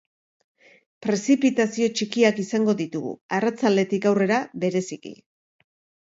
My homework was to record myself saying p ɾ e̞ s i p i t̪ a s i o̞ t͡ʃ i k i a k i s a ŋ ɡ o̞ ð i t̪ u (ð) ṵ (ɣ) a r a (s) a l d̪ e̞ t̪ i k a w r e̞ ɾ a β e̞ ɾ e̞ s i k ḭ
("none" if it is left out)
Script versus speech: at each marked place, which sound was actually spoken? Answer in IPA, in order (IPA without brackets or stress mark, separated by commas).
ɣ, none, t͡s